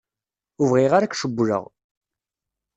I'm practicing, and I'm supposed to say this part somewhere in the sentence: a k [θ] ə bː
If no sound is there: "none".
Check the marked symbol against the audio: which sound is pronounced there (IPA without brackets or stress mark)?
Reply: ʃ